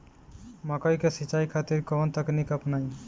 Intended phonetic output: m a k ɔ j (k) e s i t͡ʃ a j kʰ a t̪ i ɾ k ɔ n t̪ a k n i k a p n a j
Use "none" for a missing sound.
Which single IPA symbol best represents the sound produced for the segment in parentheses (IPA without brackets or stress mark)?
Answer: k